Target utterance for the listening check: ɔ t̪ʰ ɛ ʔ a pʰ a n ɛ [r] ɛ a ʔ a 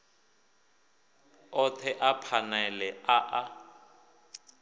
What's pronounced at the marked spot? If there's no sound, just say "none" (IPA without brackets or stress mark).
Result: l